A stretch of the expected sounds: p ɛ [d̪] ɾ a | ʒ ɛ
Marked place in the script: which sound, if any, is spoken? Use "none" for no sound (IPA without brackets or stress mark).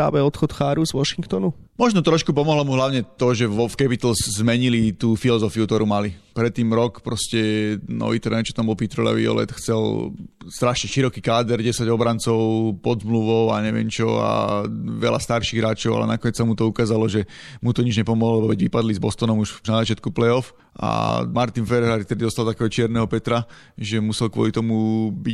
t̪